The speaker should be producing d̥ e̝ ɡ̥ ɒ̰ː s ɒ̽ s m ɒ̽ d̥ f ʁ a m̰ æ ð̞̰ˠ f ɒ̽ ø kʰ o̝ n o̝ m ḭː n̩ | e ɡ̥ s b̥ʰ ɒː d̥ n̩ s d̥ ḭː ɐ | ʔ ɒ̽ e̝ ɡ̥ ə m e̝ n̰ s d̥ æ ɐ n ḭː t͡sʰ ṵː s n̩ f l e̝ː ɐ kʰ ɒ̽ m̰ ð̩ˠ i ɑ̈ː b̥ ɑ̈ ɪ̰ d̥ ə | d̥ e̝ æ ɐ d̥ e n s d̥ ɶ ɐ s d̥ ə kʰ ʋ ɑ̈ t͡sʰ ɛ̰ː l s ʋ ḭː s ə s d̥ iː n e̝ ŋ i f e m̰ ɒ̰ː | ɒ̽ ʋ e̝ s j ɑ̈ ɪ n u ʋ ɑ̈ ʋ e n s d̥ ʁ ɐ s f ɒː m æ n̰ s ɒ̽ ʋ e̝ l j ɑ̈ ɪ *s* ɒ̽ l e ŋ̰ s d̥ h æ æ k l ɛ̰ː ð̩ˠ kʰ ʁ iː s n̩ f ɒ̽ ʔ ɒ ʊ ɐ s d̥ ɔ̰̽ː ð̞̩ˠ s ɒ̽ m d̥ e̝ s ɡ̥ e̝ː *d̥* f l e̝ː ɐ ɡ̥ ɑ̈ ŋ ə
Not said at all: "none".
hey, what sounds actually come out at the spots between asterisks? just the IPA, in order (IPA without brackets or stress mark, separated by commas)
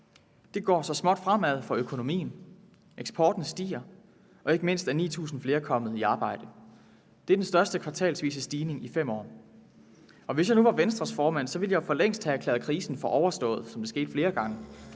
f, d̥